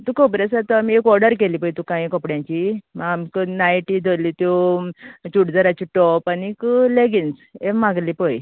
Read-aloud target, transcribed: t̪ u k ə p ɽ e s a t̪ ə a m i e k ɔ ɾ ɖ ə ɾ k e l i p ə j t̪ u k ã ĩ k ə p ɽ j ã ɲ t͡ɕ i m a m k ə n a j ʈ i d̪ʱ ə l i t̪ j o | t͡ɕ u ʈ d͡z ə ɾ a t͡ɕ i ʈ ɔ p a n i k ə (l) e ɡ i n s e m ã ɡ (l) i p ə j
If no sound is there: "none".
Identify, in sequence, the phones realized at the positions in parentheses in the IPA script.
l, l

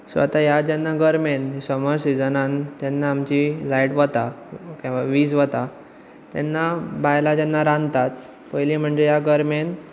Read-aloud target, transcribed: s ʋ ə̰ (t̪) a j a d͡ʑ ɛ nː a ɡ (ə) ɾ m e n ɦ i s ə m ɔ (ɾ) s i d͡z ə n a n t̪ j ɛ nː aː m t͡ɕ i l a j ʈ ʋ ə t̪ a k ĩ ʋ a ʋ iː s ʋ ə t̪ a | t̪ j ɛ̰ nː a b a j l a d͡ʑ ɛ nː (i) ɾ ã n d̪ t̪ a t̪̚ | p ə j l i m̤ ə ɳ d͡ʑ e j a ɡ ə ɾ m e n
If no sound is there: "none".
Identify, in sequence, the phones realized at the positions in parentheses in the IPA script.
t̪, ə, ɾ, a

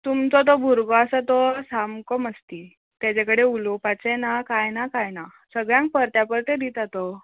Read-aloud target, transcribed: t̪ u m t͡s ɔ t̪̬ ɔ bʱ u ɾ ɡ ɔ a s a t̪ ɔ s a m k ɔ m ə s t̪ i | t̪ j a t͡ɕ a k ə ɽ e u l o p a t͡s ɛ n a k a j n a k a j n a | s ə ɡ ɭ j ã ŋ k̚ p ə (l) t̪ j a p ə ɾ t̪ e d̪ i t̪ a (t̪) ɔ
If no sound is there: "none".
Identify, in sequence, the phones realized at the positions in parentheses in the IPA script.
ɾ, t̪

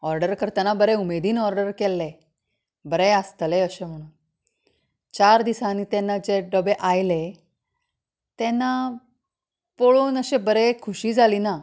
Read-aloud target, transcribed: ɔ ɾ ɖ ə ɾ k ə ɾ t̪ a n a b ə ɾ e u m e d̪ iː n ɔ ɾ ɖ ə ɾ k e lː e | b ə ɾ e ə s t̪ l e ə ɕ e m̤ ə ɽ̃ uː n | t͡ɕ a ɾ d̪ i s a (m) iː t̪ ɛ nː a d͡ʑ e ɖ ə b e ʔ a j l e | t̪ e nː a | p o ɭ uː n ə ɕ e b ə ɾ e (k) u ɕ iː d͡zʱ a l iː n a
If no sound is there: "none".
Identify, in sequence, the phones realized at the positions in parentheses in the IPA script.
n, kʰ

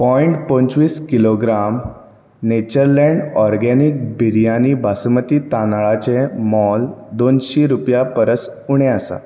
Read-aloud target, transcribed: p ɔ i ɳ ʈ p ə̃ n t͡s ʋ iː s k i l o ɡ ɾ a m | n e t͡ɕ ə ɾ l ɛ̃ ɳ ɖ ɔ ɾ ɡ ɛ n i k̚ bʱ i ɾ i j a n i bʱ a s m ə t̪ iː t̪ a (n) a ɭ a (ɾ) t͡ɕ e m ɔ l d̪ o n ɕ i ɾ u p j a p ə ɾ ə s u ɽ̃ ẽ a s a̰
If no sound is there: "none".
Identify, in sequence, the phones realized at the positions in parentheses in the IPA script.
n, none

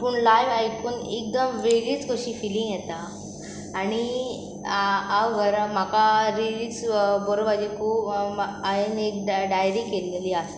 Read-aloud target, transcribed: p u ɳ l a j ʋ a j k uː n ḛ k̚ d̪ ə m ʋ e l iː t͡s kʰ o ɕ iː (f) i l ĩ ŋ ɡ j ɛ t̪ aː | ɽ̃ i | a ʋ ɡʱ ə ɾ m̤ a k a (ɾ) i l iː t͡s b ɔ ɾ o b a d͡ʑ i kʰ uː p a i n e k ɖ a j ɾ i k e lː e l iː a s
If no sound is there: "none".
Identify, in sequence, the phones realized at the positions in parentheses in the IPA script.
f, ɾ

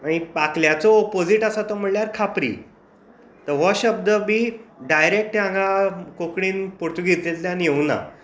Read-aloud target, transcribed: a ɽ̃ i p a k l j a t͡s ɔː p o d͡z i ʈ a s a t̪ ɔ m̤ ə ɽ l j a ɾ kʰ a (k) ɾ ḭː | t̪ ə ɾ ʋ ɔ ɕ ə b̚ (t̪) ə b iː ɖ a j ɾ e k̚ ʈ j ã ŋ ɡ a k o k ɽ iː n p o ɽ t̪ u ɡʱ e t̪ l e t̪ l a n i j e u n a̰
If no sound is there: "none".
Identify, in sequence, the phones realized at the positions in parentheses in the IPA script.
p, d̪

